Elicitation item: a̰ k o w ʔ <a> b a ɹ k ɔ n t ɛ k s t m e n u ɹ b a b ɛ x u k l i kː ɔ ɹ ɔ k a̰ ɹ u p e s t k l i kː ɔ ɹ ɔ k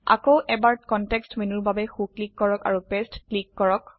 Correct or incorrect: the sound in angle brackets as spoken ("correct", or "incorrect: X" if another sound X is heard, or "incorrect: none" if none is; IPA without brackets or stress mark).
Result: incorrect: ɛ